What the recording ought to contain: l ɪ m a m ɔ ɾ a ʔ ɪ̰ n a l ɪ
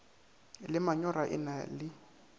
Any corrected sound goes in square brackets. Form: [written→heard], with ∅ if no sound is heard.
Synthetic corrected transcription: l ɪ m a [m→ɲ] ɔ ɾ a ʔ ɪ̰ n a l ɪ